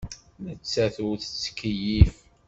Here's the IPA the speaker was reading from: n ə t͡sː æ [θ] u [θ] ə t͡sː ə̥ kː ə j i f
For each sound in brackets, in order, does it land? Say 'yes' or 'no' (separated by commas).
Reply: yes, yes